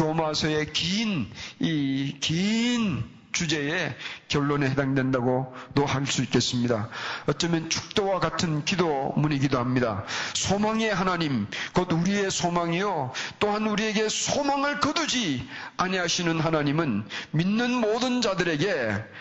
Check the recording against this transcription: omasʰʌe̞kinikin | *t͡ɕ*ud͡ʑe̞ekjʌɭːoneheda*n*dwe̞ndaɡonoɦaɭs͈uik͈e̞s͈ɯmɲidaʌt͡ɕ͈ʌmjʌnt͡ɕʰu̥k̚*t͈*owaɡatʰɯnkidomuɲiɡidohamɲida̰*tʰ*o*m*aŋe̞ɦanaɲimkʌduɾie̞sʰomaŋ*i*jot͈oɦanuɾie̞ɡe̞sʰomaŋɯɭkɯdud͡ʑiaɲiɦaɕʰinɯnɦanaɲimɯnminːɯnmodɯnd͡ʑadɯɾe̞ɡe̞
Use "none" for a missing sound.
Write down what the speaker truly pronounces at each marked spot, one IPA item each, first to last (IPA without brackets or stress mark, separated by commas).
t͡ɕ, ŋ, t͈, sʰ, m, i